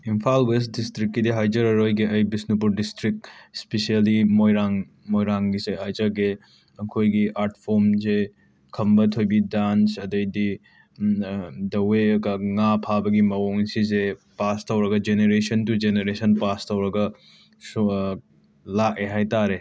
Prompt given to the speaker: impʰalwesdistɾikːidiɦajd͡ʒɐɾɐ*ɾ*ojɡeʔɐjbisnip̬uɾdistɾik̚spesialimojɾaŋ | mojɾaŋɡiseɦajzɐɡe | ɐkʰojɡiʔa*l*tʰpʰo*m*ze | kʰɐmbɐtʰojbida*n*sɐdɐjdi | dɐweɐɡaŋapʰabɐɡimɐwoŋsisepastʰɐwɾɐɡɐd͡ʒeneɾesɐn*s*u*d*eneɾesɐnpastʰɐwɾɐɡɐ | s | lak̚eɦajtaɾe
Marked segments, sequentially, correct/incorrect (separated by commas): correct, incorrect, correct, correct, incorrect, incorrect